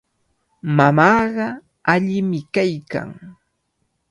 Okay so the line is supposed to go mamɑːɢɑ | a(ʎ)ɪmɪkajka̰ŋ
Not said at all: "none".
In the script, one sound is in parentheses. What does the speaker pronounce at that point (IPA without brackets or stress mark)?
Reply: ʎ